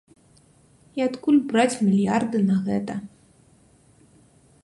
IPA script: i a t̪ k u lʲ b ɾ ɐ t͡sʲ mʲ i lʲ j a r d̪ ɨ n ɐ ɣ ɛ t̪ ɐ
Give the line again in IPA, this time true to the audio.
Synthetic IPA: i a t̪ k u lʲ b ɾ a t͡sʲ mʲ i lʲ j a r d̪ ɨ n ɐ ɣ ɛ t̪ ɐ